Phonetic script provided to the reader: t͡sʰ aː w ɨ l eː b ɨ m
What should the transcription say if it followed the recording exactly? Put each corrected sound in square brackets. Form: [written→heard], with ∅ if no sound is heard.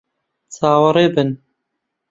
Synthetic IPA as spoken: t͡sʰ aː w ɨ [l→ɾ] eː b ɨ [m→n]

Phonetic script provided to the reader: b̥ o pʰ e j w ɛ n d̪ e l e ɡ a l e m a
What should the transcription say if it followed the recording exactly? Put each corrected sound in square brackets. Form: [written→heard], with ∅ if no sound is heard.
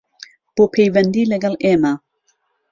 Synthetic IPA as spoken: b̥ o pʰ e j [w→v] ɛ n d̪ [e→i] l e ɡ a l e m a

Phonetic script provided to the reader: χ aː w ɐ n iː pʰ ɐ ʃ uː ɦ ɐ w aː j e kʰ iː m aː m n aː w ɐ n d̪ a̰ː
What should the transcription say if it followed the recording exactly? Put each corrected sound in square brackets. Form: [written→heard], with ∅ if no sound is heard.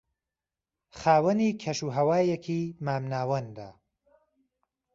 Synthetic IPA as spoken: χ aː w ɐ n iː [pʰ→kʰ] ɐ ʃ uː ɦ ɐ w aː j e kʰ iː m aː m n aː w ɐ n d̪ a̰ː

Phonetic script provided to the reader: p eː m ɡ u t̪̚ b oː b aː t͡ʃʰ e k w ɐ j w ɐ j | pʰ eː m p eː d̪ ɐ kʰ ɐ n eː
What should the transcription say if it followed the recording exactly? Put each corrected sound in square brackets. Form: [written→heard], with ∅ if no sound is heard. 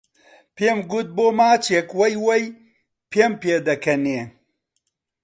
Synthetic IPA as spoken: p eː m ɡ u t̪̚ b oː [b→m] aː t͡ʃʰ e k w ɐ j w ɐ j | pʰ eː m p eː d̪ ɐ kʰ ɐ n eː

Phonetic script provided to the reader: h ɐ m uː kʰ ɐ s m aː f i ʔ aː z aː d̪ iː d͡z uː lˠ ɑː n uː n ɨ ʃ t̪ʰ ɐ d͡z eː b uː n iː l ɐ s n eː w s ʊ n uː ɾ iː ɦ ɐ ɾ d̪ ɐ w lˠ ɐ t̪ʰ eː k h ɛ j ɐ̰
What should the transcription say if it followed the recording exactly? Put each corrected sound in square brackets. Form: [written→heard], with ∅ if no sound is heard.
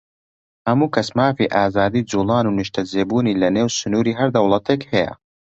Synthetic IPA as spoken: h ɐ m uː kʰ ɐ s m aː f i ʔ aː z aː d̪ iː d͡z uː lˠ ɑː n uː n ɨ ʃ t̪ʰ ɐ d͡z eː b uː n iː l ɐ [s→∅] n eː w s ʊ n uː ɾ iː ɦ ɐ ɾ d̪ ɐ w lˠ ɐ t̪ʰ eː k h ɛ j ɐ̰

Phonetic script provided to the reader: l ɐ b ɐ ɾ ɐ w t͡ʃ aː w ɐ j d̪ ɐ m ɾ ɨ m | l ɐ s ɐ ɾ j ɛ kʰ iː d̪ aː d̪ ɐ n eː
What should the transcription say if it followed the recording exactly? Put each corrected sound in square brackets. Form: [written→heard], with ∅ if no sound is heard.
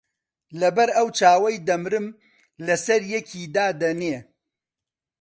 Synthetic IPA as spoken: l ɐ b ɐ ɾ ɐ w t͡ʃ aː w ɐ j d̪ ɐ m ɾ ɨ m | l ɐ s ɐ ɾ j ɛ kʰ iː d̪ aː d̪ ɐ n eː

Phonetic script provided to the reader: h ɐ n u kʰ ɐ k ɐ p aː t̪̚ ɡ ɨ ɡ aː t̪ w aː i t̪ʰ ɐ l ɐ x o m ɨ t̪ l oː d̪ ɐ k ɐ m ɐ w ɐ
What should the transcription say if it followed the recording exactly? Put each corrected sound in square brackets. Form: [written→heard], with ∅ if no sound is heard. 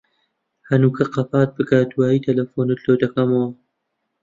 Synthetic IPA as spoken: h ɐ n u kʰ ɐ [k→q] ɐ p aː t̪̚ [ɡ→b] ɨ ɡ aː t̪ w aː i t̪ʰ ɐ l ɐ [x→f] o [m→n] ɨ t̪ l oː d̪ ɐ k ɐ m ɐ w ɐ

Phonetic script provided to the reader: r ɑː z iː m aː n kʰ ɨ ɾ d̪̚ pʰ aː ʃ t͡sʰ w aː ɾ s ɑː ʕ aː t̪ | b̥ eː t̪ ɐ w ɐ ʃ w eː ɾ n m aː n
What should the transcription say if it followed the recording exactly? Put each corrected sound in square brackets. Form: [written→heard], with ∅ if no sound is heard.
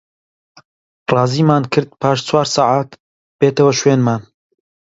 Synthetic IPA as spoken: r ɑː z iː m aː n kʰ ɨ ɾ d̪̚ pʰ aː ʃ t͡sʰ w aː ɾ s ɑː ʕ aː t̪ | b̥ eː t̪ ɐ w ɐ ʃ w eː [ɾ→∅] n m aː n

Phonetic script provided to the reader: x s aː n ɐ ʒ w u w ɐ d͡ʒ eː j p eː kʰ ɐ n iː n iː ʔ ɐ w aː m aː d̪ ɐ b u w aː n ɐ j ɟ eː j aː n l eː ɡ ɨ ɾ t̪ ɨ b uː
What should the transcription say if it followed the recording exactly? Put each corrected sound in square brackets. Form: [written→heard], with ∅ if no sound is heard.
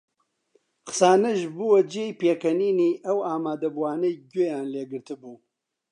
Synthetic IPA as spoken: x s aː n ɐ ʒ [w→b] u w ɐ d͡ʒ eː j p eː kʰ ɐ n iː n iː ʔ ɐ w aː m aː d̪ ɐ b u w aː n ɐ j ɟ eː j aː n l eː ɡ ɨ ɾ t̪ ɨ b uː

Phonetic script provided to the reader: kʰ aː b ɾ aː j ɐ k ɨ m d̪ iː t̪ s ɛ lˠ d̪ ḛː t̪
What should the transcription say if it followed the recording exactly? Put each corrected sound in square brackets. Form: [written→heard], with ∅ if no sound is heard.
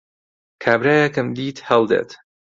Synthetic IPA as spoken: kʰ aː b ɾ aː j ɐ k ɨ m d̪ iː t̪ [s→h] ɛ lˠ d̪ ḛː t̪

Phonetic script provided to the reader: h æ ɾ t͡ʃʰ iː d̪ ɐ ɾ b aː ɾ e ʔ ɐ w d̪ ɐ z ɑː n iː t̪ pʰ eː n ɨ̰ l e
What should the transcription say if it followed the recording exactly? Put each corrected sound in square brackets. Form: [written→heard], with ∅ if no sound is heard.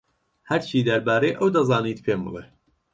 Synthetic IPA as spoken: h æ ɾ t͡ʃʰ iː d̪ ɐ ɾ b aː ɾ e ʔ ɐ w d̪ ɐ z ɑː n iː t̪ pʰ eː [n→m] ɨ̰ l e

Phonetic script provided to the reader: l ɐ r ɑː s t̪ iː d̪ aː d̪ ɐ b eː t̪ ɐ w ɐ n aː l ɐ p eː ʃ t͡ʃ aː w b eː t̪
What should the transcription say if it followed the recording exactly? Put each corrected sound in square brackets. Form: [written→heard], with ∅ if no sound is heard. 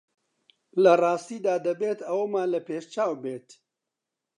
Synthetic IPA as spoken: l ɐ r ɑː s t̪ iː d̪ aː d̪ ɐ b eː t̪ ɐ w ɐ [n→m] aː l ɐ p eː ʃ t͡ʃ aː w b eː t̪

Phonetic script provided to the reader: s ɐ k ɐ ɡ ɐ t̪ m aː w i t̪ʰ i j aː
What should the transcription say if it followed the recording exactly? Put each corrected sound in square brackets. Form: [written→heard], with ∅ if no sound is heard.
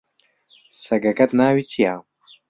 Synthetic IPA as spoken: s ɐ [k→ɡ] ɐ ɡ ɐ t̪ [m→n] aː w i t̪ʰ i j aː

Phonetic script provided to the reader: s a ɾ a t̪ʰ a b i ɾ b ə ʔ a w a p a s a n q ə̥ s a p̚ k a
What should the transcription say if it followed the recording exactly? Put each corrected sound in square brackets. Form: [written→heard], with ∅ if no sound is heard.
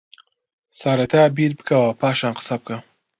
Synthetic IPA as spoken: s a ɾ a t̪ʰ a b i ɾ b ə [ʔ→k] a w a p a [s→ʃ] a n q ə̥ s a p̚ k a

